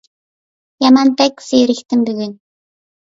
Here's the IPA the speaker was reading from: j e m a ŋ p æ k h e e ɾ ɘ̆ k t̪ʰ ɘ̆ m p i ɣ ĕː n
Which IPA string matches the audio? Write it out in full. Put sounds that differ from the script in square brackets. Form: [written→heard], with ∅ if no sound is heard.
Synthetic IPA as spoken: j [e→a] m a [ŋ→n] p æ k [h→s] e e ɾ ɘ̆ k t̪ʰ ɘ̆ m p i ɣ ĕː n